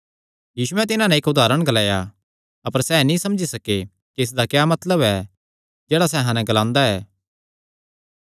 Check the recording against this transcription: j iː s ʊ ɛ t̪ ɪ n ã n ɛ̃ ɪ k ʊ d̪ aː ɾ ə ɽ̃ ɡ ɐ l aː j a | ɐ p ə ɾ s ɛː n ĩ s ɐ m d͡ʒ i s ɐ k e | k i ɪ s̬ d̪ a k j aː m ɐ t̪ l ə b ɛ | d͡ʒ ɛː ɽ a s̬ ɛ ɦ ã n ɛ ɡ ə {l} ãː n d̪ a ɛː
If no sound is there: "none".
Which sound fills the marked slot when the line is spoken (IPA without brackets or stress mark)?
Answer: l